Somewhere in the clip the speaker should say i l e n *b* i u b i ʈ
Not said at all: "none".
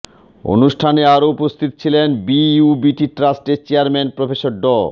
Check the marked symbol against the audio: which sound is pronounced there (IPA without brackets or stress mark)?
b